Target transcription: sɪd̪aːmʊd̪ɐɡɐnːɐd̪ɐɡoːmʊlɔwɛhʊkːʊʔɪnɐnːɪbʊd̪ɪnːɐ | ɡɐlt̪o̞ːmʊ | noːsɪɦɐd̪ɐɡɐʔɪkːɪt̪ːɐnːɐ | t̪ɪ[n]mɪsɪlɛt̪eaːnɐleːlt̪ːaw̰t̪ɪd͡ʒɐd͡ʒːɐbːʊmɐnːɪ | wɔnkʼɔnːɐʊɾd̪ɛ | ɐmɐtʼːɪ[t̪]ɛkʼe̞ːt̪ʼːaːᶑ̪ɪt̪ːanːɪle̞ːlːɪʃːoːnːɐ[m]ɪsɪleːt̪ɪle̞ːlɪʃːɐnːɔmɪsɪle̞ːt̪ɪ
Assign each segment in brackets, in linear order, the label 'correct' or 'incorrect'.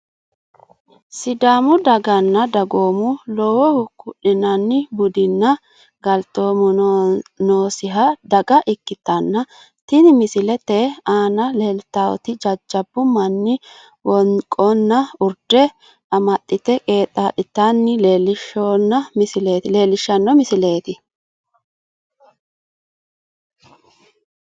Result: correct, correct, correct

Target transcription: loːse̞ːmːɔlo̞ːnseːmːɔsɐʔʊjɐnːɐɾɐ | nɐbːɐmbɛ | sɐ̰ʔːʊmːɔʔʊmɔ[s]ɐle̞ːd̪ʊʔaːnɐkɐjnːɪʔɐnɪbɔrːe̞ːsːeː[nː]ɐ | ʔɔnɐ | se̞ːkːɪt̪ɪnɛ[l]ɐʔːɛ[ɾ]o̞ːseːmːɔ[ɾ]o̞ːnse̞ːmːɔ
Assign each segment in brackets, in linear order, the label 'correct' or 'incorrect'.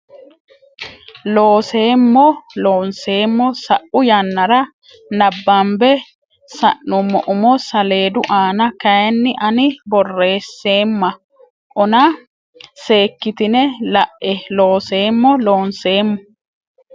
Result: correct, incorrect: mː, correct, incorrect: l, incorrect: l

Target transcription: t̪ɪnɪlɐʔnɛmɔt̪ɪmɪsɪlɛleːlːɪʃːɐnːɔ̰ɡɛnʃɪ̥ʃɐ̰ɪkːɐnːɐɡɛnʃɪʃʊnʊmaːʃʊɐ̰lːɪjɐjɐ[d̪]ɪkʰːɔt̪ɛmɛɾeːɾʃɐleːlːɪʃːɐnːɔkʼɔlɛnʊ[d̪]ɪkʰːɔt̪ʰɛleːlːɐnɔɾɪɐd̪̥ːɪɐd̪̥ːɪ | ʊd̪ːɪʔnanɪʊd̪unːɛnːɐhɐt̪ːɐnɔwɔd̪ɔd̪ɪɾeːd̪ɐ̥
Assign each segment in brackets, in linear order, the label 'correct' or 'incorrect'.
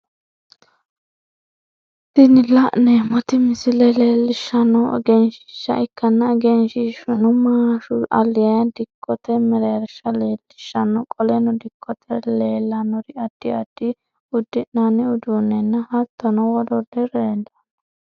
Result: correct, correct

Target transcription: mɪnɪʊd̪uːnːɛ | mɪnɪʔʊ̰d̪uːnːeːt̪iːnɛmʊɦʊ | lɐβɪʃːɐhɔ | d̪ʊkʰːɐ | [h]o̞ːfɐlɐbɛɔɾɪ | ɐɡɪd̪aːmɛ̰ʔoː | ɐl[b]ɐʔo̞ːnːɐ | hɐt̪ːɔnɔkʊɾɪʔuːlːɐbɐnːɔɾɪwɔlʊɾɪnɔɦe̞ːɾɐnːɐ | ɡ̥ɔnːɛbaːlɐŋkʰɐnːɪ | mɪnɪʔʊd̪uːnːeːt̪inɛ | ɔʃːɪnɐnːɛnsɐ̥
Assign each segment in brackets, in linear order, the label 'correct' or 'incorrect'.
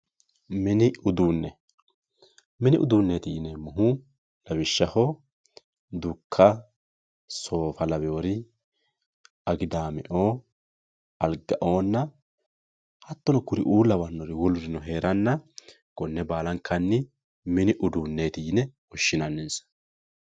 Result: incorrect: s, incorrect: ɡ

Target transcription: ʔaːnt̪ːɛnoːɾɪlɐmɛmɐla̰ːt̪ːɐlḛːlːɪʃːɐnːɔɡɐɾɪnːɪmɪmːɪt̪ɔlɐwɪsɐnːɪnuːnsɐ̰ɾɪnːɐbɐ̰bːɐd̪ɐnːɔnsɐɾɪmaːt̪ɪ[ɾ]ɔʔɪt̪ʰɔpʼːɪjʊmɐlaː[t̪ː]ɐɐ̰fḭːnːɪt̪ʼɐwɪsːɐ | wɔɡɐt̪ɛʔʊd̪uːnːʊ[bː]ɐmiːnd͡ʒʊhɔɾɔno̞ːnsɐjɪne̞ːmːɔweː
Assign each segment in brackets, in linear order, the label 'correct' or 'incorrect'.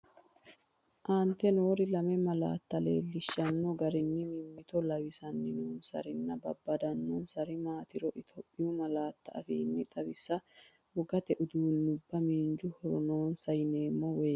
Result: correct, correct, correct

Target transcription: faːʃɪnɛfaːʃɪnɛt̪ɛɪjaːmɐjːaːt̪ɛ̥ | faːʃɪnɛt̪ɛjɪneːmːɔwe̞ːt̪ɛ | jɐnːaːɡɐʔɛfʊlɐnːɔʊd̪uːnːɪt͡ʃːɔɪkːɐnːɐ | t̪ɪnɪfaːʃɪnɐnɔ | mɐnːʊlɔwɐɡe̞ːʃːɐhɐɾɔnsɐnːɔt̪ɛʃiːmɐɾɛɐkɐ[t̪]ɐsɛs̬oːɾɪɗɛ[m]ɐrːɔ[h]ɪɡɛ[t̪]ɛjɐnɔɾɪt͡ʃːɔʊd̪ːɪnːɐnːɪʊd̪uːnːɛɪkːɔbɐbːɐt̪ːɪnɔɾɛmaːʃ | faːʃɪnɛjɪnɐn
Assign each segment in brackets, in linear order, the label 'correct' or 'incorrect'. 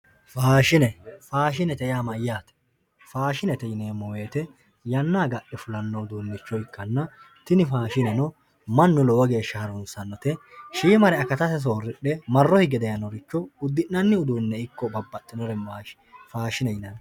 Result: correct, correct, correct, incorrect: d̪

